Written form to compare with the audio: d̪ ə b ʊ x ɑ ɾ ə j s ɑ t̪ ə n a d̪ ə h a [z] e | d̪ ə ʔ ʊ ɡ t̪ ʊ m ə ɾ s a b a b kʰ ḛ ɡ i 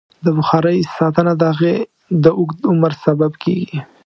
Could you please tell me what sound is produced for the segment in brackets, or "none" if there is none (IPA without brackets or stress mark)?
ɣ